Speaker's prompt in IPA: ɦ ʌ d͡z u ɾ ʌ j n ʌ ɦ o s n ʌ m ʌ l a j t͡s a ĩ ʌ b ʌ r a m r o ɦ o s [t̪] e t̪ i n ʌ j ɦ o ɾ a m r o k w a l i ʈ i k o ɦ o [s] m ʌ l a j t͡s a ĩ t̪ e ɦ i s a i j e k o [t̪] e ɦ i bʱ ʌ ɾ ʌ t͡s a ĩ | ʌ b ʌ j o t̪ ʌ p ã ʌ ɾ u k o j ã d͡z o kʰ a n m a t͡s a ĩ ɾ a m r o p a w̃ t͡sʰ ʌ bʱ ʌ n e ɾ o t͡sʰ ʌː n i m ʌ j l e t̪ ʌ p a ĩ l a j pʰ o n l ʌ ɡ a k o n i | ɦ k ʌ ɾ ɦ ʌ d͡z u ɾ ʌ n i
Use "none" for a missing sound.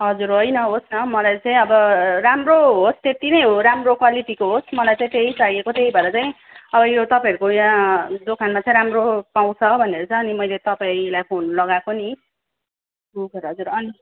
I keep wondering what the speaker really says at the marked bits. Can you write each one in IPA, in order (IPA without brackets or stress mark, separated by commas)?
t̪, s, t̪